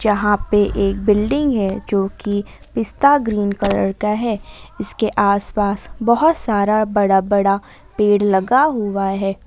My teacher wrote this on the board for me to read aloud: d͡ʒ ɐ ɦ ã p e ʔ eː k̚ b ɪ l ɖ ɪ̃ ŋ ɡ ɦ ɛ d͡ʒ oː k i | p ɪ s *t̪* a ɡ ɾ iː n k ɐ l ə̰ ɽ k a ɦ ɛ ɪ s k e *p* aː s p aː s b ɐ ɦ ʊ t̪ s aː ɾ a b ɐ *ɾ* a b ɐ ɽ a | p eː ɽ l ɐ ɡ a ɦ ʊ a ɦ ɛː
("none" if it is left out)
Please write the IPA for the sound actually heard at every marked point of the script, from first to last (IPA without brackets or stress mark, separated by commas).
t̪, ʔ, ɽ